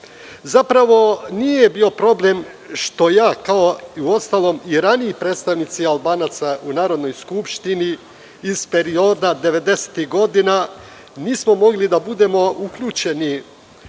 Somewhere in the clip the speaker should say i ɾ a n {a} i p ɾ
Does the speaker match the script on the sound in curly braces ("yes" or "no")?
no